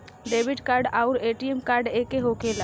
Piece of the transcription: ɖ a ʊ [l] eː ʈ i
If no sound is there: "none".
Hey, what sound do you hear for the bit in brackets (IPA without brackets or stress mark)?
ɾ